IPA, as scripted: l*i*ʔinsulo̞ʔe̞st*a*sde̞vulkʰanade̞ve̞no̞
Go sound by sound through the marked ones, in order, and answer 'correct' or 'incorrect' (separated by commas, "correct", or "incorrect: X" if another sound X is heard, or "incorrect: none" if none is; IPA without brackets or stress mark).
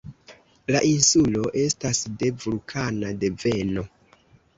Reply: incorrect: a, correct